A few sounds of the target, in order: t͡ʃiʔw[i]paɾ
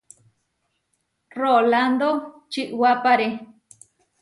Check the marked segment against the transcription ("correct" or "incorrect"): incorrect